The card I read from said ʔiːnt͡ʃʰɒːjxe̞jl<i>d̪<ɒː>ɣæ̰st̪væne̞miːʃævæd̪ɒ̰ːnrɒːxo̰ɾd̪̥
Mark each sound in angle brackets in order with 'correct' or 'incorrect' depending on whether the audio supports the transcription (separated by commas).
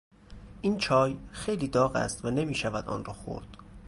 incorrect, correct